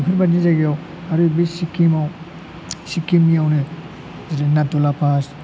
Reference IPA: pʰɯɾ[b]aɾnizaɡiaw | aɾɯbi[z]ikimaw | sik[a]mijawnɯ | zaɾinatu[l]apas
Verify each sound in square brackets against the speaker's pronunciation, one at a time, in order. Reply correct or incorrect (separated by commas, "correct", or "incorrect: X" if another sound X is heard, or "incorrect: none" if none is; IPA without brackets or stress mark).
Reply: correct, incorrect: s, incorrect: i, correct